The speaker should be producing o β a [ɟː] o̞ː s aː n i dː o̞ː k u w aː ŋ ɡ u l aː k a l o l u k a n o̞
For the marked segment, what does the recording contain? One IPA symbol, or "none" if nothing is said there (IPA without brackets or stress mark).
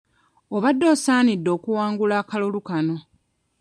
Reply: dː